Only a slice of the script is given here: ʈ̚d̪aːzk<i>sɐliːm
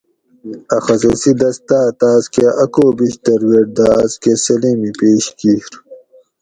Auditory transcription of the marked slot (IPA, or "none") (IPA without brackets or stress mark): e